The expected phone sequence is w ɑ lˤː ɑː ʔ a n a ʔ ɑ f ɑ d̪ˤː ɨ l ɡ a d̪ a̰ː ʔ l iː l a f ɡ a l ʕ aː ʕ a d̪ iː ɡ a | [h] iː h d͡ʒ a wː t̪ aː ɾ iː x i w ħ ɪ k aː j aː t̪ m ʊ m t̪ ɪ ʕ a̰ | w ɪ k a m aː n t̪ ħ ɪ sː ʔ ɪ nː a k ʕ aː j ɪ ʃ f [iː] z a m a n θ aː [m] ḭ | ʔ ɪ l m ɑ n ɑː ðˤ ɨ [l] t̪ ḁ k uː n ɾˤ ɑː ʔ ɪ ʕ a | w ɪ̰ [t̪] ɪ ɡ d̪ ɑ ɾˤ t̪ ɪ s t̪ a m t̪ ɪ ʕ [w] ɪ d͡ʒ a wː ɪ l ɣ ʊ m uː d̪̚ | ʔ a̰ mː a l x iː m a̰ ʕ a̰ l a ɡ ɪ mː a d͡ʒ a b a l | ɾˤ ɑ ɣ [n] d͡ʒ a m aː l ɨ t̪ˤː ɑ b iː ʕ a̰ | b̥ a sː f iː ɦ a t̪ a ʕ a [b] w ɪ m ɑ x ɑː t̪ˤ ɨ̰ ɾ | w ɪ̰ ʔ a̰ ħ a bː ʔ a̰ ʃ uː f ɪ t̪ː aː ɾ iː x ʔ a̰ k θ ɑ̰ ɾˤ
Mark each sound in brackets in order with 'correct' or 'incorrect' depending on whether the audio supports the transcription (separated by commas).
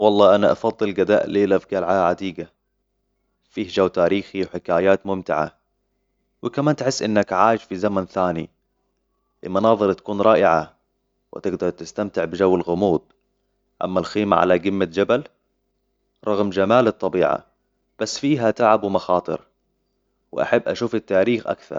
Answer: incorrect, incorrect, incorrect, incorrect, correct, incorrect, incorrect, correct